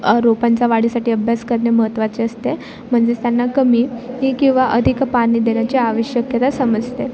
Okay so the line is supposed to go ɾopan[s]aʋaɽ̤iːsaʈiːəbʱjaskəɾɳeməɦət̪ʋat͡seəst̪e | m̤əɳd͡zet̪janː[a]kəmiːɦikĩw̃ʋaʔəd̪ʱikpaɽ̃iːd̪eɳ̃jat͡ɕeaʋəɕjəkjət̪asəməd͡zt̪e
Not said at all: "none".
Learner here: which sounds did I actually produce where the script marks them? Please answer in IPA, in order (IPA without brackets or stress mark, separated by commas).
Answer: t͡s, a